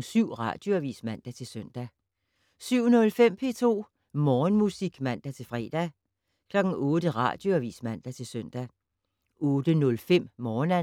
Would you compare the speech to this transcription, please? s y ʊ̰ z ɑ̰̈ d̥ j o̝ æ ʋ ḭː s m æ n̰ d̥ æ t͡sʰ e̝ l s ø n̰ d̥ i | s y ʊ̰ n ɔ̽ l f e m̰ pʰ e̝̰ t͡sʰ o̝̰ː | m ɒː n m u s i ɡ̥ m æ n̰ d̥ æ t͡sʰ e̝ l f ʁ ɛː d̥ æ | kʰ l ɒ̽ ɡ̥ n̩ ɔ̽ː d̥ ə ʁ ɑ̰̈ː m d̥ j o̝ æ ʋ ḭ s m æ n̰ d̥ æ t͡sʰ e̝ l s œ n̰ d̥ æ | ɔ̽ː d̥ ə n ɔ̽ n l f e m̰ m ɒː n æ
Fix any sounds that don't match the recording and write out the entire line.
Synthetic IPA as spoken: s y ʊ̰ ʁ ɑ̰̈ d̥ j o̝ æ ʋ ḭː s m æ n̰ d̥ æ t͡sʰ e̝ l s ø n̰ d̥ æ | s y ʊ̰ n ɔ̽ l f e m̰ pʰ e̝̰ t͡sʰ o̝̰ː | m ɒː n m u s i ɡ̥ m æ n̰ d̥ æ t͡sʰ e̝ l f ʁ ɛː d̥ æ | kʰ l ɒ̽ ɡ̥ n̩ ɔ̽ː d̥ ə ʁ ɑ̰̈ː d̥ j o̝ æ ʋ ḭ s m æ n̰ d̥ æ t͡sʰ e̝ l s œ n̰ d̥ æ | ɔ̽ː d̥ ə n ɔ̽ l f e m̰ m ɒː n æ

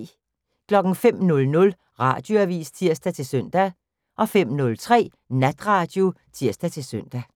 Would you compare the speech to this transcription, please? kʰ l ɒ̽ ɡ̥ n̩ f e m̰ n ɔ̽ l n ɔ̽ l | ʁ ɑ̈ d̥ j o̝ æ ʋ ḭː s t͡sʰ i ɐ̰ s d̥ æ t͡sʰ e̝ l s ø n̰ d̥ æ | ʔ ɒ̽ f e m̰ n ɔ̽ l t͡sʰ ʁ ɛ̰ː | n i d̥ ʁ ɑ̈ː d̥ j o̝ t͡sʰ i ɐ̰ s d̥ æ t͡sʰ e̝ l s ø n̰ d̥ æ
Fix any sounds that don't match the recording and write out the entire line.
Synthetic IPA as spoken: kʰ l ɒ̽ ɡ̥ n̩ f e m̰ n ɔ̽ l n ɔ̽ l | ʁ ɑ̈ d̥ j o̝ æ ʋ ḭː s t͡sʰ i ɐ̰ s d̥ æ t͡sʰ e̝ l s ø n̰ d̥ æ | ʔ ɒ̽ f e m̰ n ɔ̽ l t͡sʰ ʁ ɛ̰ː | n æ d̥ ʁ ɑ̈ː d̥ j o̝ t͡sʰ i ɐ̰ s d̥ æ t͡sʰ e̝ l s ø n̰ d̥ æ

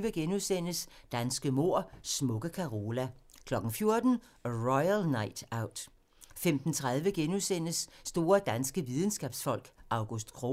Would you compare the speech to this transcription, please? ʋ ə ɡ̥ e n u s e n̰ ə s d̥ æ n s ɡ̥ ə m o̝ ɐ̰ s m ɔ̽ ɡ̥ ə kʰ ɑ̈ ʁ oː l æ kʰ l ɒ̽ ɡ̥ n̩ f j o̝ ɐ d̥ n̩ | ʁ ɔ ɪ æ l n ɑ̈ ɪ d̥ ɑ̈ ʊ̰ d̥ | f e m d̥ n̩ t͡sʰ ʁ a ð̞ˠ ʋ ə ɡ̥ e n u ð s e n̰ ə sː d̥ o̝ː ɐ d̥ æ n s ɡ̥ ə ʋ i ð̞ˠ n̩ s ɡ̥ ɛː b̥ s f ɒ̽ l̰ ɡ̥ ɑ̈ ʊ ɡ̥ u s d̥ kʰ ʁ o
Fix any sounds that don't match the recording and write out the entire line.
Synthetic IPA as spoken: ʋ ə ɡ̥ e n u s e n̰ ə s d̥ æ n s ɡ̥ ə m o̝ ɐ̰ s m ɔ̽ ɡ̥ ə kʰ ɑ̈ ʁ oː l æ kʰ l ɒ̽ ɡ̥ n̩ f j o̝ ɐ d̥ n̩ | ʁ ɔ ɪ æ l n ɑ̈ ɪ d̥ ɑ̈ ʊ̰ d̥ | f e m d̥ n̩ t͡sʰ ʁ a ð̞ˠ ʋ ə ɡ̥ e n u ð s e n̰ ə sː d̥ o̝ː ɐ d̥ æ n s ɡ̥ ə ʋ i ð̞ˠ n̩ s ɡ̥ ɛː b̥ s f ɒ̽ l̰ ɡ̥ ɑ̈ ʊ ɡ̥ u s d̥ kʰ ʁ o

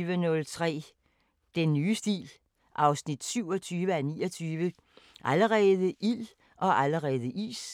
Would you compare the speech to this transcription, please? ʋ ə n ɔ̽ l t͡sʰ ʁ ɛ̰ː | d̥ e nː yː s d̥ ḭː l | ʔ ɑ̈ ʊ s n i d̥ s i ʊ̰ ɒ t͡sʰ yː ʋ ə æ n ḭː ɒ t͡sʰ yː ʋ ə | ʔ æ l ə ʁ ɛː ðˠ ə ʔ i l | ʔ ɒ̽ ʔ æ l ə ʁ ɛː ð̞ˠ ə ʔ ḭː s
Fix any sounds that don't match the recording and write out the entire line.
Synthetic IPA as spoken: ʋ ə n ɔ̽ l t͡sʰ ʁ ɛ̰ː | d̥ e nː yː s d̥ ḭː l | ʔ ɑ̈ ʊ s n i d̥ s y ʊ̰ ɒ t͡sʰ yː ʋ ə æ n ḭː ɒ t͡sʰ yː ʋ ə | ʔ æ l ə ʁ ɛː ðˠ ə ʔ i l | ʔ ɒ̽ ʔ æ l ə ʁ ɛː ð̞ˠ ə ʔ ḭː s

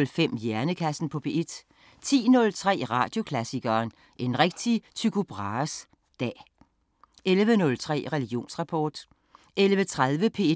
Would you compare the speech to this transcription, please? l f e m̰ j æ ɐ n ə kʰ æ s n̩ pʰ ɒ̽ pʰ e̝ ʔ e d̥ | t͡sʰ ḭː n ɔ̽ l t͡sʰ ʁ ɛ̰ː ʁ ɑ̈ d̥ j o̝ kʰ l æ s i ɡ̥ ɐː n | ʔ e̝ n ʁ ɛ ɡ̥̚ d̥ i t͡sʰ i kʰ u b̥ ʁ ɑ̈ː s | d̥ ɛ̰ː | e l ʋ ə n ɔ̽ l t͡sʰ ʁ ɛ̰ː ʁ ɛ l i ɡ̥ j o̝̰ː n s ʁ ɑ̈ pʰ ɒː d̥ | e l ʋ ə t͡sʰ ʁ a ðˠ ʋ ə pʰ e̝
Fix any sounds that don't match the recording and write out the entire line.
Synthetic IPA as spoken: l f e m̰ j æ ɐ n ə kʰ æ s n̩ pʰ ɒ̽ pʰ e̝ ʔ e d̥ | t͡sʰ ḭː n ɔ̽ l t͡sʰ ʁ ɛ̰ː ʁ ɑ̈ d̥ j o̝ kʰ l æ s i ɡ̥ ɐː n | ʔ e̝ n ʁ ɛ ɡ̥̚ d̥ i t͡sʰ y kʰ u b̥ ʁ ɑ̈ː s | d̥ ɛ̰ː | e l ʋ ə n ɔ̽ l t͡sʰ ʁ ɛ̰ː ʁ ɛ l i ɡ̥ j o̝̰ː n s ʁ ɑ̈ pʰ ɒː d̥ | e l ʋ ə t͡sʰ ʁ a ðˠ ʋ ə pʰ e̝

